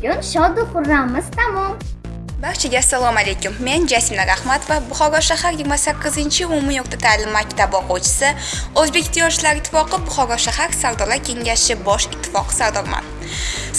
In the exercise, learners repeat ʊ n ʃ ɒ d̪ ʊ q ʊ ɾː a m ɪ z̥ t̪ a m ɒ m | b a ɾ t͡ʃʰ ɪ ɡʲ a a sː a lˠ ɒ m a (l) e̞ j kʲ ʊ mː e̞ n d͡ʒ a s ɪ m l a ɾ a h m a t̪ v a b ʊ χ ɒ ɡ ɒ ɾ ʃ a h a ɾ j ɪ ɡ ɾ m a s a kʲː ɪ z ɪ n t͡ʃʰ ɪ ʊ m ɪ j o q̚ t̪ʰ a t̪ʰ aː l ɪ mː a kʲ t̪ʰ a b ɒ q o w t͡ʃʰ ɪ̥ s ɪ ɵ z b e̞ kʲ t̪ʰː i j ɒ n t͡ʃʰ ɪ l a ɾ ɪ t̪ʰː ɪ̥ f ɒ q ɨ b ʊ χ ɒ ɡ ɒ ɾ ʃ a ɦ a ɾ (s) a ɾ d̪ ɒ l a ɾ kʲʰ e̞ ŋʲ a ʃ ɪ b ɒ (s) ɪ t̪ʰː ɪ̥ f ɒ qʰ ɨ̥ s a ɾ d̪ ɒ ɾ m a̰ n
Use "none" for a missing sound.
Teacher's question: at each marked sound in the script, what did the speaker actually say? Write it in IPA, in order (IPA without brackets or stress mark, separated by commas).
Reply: l, s, ʃ